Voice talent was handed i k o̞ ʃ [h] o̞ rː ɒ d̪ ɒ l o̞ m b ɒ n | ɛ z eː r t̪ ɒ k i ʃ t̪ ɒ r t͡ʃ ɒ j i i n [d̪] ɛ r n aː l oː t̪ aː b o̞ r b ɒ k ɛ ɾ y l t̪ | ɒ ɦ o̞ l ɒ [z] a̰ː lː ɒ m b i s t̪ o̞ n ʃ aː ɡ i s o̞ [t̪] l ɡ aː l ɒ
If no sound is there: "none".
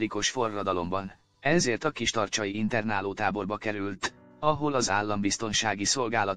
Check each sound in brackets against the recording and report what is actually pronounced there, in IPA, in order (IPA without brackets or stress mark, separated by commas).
f, t̪, z, none